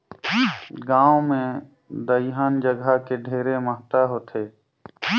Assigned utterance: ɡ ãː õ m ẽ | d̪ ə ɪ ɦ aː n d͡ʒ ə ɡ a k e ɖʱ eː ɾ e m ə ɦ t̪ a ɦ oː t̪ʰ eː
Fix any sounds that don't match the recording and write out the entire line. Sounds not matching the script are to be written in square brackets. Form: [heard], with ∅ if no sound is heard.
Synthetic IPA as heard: ɡ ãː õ m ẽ | d̪ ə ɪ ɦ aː n d͡ʒ ə ɡ a k e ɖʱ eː ɾ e m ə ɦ t̪ a ɦ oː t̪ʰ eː